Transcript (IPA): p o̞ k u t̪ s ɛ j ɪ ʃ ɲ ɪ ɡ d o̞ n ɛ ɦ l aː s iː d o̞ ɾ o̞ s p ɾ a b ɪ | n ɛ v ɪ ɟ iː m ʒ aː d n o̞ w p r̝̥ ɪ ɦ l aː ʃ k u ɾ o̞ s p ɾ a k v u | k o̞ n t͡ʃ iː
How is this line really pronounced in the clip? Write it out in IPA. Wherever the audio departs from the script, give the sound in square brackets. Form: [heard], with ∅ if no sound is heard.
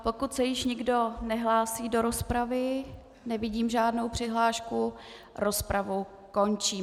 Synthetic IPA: p o̞ k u t̪ s ɛ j ɪ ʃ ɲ ɪ ɡ d o̞ n ɛ ɦ l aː s iː d o̞ ɾ o̞ s p ɾ a [v] ɪ | n ɛ v ɪ ɟ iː m ʒ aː d n o̞ w p r̝̥ ɪ ɦ l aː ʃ k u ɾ o̞ s p ɾ a [∅] v u | k o̞ n t͡ʃ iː